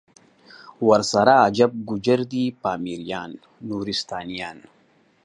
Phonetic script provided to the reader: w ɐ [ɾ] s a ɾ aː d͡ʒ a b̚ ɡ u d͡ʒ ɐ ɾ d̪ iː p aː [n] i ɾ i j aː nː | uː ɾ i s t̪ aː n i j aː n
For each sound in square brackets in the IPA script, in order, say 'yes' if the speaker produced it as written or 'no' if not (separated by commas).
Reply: yes, no